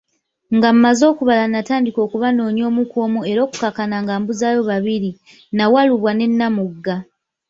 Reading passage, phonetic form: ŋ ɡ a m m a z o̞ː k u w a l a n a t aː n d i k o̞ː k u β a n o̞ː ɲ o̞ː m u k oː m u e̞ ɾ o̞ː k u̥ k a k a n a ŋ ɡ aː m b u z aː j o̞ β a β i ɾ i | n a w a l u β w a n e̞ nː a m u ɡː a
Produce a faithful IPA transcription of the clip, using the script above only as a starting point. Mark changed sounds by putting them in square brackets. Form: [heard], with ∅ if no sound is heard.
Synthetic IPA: ŋ ɡ a m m a z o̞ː k u [β] a l a n a t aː n d i k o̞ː k u β a n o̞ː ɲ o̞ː m u k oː m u e̞ ɾ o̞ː k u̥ k a k a n a ŋ ɡ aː m b u z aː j o̞ β a β i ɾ i | n a w a l u β w a n e̞ nː a m u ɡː a